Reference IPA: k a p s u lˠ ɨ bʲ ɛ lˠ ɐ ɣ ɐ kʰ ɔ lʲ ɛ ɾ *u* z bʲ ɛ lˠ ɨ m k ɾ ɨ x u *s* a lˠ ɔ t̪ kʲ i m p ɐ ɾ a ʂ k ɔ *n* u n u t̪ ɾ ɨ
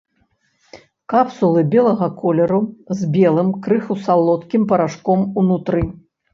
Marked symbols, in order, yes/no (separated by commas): yes, yes, no